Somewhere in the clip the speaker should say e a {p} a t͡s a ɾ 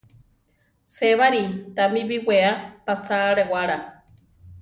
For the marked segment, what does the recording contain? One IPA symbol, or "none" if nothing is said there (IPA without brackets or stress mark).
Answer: p